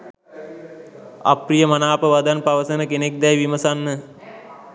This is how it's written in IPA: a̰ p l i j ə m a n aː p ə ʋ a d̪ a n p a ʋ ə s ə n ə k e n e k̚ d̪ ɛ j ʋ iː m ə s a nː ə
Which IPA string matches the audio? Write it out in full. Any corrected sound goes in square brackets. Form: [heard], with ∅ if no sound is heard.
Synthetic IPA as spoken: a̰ p [r] i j ə m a n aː p ə ʋ a d̪ a n p a ʋ ə s ə n ə k e n e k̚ d̪ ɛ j ʋ [i] m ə s a nː ə